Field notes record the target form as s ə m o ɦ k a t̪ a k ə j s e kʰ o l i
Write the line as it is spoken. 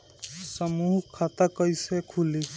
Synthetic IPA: s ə m u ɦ kʰ a t̪ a k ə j s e kʰ u l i

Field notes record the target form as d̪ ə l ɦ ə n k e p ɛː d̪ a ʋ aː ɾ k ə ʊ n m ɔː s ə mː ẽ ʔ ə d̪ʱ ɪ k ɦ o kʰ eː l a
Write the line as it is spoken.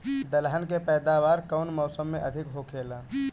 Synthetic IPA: d̪ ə l ɦ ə n k e p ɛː d̪ a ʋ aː ɾ k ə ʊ n m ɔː s ə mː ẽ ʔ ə d̪ʱ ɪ k ɦ o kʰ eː l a

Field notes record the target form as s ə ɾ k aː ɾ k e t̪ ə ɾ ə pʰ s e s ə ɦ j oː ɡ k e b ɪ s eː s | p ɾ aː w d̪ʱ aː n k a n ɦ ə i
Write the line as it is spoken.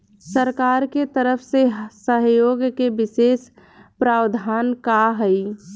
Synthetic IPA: s ə ɾ k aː ɾ k e t̪ ə ɾ ə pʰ s e s ə ɦ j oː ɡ k e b ɪ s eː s | p ɾ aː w d̪ʱ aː n k a ɦ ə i

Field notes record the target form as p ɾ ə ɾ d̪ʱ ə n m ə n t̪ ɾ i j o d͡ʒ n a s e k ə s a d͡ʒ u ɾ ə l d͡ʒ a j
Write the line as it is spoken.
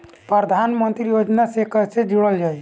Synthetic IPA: p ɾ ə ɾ d̪ʱ a n m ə n t̪ ɾ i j o d͡ʒ n a s e k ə s e d͡ʒ u ɽ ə l d͡ʒ a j

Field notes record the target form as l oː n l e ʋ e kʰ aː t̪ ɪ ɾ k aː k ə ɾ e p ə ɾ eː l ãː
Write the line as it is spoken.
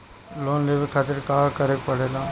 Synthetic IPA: l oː n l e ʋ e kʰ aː t̪ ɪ ɾ k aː k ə ɾ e p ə ɽ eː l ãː

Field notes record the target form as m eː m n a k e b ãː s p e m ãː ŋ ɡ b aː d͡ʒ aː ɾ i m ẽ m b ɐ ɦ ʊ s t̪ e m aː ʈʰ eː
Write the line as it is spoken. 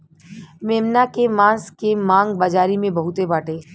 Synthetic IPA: m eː m n a k e m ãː s k e m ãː ŋ ɡ b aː d͡ʒ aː ɾ i m ẽ b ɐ ɦ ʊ t̪ e b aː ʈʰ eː

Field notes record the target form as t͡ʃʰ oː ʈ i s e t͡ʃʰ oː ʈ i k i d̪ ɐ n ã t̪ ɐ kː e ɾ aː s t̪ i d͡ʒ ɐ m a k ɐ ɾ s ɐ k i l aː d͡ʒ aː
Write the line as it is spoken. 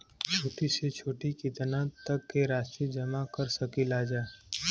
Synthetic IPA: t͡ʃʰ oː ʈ i s e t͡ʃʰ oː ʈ i k i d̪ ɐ n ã t̪ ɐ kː e ɾ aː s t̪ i d͡ʒ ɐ m a k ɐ ɾ s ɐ k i l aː d͡ʒ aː

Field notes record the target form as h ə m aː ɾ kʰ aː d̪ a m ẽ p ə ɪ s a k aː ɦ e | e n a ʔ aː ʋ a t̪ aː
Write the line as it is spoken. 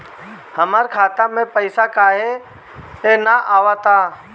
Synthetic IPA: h ə m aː ɾ kʰ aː t̪ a m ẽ p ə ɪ s a k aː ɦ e | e n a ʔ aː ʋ a t̪ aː

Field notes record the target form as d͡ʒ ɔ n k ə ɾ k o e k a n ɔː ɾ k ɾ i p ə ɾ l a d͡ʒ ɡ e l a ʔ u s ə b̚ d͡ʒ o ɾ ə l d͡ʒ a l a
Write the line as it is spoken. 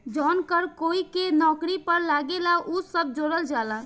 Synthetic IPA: d͡ʒ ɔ n k ə ɾ k o i k e n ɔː k ɾ i p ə ɾ l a ɡ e l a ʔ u s ə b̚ d͡ʒ o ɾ ə l d͡ʒ a l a

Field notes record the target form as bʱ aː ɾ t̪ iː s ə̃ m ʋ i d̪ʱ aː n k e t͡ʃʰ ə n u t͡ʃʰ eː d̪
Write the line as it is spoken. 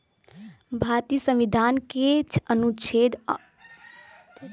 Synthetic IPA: bʱ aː ɾ t̪ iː s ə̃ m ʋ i d̪ʱ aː n k e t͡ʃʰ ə n u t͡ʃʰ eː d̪

